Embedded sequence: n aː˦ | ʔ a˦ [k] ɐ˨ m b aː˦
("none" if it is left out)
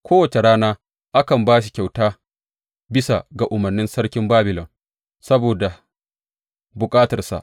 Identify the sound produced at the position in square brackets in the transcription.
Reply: k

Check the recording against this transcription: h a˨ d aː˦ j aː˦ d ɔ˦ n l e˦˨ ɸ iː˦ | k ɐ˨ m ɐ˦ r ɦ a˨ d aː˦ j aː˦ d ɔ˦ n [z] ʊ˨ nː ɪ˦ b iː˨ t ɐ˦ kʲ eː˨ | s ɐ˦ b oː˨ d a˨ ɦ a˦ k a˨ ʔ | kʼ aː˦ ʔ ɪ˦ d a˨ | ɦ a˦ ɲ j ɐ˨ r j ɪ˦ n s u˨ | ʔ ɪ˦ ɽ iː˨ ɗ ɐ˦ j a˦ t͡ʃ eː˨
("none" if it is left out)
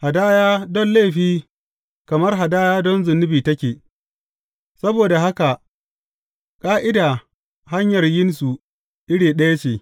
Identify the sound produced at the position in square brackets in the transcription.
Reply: z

